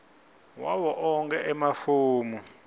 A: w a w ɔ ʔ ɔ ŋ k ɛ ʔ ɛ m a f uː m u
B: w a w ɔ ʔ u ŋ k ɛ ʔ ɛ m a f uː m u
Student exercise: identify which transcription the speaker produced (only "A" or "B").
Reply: A